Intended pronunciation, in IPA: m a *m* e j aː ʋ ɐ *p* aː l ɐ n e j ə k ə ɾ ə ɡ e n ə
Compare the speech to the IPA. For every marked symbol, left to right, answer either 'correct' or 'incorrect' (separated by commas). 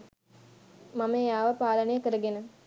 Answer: correct, correct